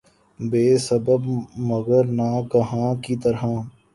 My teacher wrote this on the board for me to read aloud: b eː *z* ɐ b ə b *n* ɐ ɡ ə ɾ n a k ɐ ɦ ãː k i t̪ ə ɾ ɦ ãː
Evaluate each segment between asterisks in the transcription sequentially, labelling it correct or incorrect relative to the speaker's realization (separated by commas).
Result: incorrect, incorrect